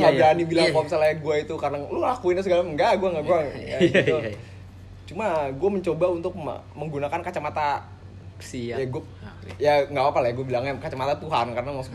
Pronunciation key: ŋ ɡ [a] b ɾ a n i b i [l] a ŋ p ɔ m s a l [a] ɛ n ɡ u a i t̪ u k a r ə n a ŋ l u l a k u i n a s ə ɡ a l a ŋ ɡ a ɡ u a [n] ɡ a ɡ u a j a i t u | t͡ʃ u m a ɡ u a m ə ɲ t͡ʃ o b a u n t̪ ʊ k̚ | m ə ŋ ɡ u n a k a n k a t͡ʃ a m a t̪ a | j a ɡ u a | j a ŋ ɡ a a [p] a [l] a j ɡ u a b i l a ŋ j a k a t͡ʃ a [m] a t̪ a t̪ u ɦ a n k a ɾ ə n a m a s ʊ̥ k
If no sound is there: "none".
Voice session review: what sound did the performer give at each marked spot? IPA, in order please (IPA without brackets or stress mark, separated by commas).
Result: a, l, a, ŋ, p, l, m